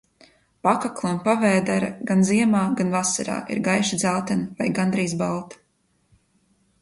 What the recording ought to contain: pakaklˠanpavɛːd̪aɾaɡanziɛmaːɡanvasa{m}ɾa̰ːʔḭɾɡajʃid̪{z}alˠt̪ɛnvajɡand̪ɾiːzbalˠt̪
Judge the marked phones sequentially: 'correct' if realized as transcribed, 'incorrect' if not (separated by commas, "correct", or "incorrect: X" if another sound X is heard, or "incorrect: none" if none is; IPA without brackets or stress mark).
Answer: incorrect: none, correct